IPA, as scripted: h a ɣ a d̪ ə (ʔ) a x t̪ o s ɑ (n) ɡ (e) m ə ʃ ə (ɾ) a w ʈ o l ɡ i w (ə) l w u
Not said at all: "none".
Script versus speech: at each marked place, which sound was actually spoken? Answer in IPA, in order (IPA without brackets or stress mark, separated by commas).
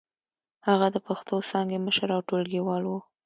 p, ŋ, e, ɾ, ɑ